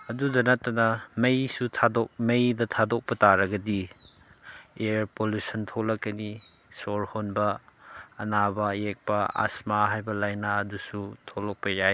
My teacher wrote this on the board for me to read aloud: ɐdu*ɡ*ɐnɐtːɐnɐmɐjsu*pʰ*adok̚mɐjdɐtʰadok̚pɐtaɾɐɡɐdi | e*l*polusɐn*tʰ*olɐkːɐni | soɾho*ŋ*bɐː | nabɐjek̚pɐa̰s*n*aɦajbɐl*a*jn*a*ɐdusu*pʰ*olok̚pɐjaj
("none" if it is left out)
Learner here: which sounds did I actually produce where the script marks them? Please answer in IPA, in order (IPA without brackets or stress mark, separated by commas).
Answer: d, tʰ, ɾ, tʰ, n, m, a, a, tʰ